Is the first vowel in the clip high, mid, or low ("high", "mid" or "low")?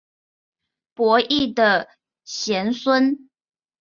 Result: mid